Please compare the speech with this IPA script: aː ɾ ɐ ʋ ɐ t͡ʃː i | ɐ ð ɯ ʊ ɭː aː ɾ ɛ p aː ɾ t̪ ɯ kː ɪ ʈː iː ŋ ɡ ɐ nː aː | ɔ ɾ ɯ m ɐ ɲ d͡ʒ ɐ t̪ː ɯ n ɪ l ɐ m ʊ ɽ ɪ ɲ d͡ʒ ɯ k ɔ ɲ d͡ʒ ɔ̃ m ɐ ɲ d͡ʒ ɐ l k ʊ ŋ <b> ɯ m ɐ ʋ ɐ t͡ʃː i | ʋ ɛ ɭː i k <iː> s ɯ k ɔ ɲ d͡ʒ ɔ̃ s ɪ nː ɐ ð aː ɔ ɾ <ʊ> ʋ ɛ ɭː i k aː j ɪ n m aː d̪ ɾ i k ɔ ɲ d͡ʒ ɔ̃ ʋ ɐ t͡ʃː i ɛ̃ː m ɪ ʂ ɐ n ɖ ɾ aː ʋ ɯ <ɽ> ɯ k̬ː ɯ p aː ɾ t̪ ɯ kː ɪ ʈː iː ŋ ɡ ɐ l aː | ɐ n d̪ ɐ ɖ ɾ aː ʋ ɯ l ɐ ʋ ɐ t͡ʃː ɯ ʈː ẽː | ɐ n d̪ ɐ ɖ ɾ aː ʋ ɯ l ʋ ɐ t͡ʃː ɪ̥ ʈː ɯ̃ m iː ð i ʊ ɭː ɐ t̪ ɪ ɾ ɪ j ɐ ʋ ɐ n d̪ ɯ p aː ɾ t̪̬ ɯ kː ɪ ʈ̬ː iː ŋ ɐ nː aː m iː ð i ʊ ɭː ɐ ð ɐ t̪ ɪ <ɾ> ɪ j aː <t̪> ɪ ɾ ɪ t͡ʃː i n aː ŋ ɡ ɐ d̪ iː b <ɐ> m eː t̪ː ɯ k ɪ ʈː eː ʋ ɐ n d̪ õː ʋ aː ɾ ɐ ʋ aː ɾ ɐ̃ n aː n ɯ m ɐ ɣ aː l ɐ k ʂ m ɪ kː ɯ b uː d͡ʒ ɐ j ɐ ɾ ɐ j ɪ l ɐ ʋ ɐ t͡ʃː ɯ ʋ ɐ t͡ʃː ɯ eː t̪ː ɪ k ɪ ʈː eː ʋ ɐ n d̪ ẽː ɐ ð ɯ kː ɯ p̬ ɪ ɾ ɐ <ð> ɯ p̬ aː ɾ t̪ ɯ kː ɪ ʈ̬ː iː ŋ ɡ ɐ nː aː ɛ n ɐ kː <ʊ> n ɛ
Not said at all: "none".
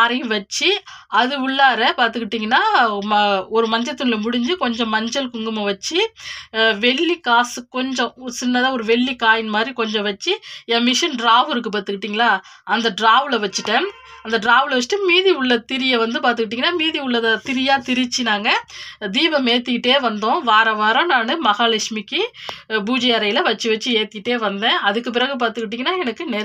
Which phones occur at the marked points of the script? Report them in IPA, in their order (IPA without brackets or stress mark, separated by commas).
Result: ɡ, aː, ɯ, ɾ, ɾ, t̪, ɐ, ɣ, ɯ